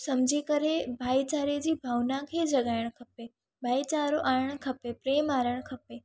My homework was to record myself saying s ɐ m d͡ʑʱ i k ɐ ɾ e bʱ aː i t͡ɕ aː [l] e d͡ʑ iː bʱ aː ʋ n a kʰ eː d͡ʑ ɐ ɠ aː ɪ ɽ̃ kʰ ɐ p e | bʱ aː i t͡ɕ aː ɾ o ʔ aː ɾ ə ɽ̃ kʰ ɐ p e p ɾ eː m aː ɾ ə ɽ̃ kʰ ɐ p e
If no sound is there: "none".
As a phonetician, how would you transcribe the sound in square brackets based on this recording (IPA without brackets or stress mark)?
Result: ɾ